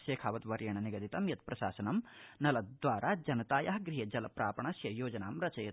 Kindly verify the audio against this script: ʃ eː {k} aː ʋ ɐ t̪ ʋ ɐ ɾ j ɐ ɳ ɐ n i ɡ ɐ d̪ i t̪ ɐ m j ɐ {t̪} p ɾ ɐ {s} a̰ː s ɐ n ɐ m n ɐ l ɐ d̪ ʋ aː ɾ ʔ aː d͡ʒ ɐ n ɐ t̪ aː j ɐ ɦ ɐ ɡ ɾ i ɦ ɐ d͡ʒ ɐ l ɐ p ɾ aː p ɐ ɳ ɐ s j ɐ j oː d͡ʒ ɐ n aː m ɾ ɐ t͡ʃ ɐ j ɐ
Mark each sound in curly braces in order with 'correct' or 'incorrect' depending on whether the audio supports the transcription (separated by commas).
incorrect, correct, incorrect